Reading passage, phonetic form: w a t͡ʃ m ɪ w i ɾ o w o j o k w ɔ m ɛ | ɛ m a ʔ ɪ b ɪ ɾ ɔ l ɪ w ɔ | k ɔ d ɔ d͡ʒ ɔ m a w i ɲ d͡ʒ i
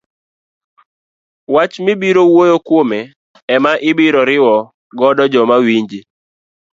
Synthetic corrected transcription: w a t͡ʃ m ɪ b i ɾ o w o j o k w o m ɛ | ɛ m a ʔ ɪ b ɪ ɾ ɔ ɾ ɪ w ɔ | ɡ ɔ d ɔ d͡ʒ ɔ m a w i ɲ d͡ʒ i